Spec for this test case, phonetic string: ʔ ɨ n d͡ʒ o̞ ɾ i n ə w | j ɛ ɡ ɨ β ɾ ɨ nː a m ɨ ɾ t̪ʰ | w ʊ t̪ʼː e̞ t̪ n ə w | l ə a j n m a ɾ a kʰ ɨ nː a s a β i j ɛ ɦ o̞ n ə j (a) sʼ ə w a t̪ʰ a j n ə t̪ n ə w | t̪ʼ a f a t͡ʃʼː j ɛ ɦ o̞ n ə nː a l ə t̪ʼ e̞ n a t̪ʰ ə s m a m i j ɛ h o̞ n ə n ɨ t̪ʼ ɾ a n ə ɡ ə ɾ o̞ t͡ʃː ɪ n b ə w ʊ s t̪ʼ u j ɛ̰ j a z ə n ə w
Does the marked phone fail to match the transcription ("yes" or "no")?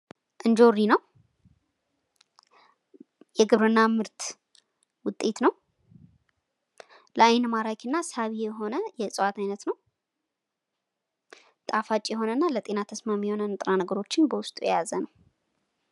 yes